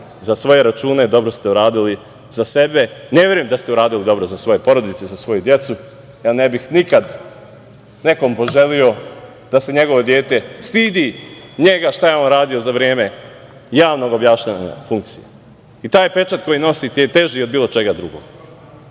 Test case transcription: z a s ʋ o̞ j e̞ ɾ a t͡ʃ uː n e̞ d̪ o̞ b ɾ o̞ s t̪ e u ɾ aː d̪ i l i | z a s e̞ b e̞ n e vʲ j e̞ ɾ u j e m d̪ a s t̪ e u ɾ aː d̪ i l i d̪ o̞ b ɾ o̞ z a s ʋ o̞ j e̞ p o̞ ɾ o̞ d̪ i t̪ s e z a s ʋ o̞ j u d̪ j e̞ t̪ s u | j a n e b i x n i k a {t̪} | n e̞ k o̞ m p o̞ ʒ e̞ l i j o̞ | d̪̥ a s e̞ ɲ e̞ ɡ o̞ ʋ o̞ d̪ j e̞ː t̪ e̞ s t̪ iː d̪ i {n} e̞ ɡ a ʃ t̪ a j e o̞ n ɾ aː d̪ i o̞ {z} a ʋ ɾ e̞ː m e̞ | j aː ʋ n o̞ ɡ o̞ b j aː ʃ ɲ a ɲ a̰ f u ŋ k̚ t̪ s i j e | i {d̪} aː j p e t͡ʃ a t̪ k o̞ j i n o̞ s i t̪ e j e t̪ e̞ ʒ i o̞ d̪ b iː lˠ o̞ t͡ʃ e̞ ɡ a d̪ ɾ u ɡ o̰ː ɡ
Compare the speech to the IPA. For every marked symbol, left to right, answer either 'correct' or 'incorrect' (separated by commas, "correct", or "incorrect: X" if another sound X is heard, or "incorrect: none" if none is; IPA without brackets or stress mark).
incorrect: d̪, incorrect: ɲ, correct, incorrect: t̪